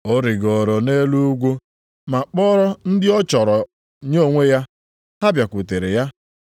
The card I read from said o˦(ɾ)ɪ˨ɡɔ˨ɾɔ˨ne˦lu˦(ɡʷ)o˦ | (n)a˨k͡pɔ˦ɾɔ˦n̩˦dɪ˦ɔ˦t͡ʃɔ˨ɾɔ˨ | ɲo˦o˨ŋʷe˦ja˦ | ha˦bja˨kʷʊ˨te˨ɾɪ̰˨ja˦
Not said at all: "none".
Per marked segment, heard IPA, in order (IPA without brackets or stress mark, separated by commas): ɾ, ɡʷ, m